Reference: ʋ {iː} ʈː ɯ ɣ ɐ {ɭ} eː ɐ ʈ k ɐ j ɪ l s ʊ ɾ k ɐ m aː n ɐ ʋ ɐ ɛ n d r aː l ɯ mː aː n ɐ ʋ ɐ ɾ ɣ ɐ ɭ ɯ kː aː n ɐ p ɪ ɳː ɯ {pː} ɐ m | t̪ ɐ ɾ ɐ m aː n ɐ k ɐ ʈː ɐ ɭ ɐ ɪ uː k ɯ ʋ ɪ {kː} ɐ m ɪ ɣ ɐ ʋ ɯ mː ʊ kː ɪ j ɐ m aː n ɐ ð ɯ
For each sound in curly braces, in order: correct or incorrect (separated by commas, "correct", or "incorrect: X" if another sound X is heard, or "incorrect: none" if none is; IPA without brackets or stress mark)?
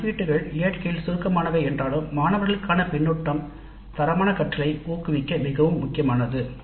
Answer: correct, correct, incorrect: ʈː, correct